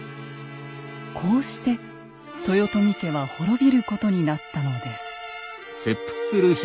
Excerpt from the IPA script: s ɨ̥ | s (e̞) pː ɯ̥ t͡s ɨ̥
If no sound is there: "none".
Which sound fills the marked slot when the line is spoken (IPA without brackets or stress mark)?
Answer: e̞